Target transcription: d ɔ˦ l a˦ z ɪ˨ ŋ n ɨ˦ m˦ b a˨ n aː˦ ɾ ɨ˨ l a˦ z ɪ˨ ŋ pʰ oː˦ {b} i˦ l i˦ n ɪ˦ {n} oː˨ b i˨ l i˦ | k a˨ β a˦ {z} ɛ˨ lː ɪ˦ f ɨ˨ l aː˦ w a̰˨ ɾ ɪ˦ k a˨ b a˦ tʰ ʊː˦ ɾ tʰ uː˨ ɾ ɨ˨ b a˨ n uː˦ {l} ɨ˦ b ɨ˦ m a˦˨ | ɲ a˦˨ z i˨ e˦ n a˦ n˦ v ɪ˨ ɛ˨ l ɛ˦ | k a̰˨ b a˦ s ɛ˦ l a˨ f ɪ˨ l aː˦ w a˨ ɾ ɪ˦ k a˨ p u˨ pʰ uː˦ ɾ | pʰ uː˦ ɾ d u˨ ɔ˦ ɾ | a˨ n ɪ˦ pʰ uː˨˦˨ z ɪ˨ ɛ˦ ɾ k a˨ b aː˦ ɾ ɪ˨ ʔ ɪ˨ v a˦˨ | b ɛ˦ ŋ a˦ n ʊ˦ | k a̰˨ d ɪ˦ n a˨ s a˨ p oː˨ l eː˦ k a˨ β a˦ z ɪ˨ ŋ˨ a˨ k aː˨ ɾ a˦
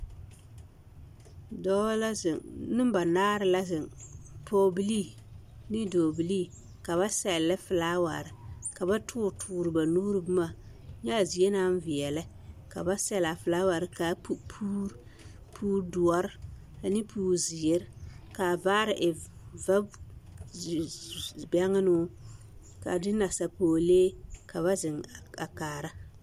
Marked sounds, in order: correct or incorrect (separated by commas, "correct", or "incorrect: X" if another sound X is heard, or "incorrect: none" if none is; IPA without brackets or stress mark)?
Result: correct, incorrect: d, incorrect: s, incorrect: ɾ